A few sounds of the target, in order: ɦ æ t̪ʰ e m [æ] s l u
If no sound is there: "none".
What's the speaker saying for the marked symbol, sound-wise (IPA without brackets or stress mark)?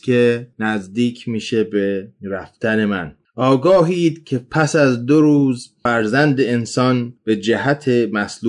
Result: æ